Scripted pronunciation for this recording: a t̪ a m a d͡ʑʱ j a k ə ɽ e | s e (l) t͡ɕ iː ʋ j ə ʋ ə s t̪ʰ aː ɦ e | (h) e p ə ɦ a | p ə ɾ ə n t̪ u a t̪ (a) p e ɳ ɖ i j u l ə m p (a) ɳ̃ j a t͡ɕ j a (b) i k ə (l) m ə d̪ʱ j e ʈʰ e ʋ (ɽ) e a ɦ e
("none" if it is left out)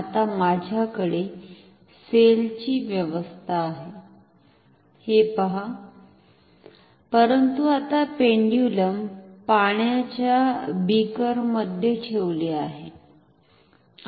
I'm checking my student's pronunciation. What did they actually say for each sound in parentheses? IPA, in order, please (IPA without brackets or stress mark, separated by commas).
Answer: l, h, a, a, b, ɾ, l